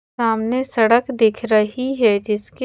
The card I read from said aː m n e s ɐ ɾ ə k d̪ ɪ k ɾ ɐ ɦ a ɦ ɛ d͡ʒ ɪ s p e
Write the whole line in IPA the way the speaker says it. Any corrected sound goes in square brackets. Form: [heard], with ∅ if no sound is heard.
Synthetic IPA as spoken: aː m n e s ɐ [ɽ] ə k d̪ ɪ [kʰ] ɾ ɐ ɦ [i] ɦ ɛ d͡ʒ ɪ s [k] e